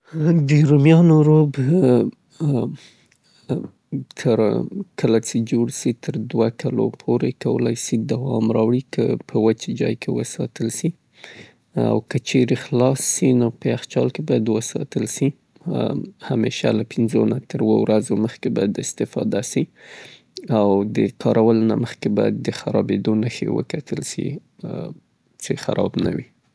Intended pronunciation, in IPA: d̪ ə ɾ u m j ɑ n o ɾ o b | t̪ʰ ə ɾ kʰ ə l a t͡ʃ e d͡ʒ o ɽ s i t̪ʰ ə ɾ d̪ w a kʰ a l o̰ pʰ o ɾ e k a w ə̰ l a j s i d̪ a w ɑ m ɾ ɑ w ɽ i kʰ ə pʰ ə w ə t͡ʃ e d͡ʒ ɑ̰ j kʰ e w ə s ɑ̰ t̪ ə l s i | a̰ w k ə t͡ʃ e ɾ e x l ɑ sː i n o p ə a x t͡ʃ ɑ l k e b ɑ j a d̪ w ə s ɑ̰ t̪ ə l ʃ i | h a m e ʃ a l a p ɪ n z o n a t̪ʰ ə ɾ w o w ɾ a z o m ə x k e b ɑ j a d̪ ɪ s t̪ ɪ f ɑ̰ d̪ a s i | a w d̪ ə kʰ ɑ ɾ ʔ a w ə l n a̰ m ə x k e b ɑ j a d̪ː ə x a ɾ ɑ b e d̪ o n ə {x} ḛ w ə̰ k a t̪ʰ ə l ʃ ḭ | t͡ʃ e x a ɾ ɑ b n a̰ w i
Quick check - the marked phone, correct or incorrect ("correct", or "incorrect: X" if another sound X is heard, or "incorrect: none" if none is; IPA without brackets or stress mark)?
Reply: correct